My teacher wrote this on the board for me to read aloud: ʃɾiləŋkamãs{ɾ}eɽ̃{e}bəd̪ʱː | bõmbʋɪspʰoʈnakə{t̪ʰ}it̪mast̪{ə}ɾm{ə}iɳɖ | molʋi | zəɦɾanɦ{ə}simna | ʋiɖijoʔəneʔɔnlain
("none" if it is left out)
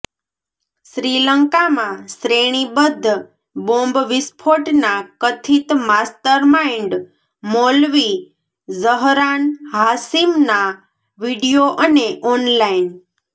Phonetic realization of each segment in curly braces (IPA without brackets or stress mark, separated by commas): ɾ, i, t̪ʰ, ə, a, a